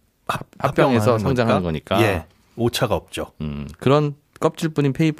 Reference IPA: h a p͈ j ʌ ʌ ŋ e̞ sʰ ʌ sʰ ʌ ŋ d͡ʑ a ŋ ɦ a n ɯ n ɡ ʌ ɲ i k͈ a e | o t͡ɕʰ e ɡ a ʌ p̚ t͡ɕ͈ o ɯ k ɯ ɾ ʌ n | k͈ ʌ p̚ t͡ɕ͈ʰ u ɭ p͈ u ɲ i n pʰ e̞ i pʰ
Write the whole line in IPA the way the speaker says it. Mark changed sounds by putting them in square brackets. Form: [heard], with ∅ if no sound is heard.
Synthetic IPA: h a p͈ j ʌ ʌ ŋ e̞ sʰ ʌ sʰ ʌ ŋ d͡ʑ a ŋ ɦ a n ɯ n ɡ ʌ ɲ i k͈ a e | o t͡ɕʰ [a] ɡ a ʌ p̚ t͡ɕ͈ o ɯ k ɯ ɾ ʌ n | k͈ ʌ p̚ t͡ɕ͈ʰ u ɭ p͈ u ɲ i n pʰ e̞ i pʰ